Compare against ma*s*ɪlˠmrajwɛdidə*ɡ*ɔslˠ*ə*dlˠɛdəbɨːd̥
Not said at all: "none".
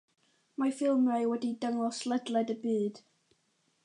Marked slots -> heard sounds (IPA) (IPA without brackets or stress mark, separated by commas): f, ŋ, ə